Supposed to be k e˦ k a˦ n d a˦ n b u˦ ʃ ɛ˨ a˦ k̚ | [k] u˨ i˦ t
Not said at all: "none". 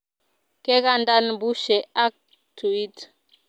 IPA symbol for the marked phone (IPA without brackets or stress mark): t